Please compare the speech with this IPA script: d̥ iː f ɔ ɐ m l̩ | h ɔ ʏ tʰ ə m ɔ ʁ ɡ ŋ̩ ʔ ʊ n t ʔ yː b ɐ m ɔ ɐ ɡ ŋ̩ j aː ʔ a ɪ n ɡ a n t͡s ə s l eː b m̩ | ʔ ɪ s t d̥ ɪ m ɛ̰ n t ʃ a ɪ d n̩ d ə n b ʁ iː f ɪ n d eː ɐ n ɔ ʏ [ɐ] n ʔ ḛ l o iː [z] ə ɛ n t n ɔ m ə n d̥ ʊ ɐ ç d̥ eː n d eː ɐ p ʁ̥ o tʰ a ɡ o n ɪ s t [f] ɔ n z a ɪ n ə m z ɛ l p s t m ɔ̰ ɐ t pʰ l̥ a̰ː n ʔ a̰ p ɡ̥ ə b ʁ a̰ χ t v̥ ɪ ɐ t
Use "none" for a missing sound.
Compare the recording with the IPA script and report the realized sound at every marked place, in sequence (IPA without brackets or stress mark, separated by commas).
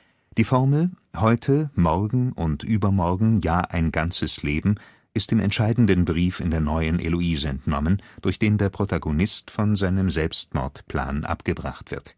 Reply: ə, z, f